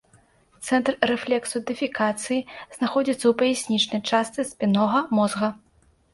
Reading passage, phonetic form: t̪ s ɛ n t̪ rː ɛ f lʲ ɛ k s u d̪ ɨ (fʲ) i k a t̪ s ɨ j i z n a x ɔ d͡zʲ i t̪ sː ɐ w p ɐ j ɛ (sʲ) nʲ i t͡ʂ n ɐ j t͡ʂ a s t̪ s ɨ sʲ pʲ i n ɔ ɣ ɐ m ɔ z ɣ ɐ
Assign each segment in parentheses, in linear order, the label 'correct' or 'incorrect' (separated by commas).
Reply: correct, correct